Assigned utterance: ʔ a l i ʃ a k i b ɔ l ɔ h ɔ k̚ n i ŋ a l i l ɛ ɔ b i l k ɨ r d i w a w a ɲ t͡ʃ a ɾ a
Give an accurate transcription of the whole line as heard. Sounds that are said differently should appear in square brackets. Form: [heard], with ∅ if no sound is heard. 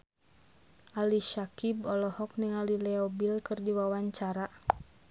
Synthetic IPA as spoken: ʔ a l i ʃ a k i b ɔ l ɔ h ɔ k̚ n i ŋ a l i l ɛ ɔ b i l k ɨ r d i w a w a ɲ t͡ʃ a ɾ a